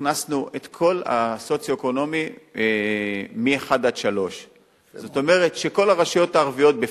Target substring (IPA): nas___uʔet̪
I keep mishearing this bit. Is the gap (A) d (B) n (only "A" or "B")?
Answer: B